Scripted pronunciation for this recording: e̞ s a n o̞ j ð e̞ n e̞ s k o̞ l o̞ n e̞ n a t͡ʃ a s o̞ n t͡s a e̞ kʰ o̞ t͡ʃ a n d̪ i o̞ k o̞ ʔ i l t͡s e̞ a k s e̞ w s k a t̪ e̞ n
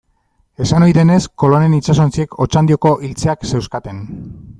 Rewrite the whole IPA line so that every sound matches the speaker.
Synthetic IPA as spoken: e̞ s a n o̞ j ð e̞ n e̞ s k o̞ l o̞ n e̞ n i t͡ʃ a s o̞ n t͡s i e̞ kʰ o̞ t͡ʃ a n d̪ i o̞ k o̞ ʔ i l t͡s e̞ a k s e̞ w s k a t̪ e̞ n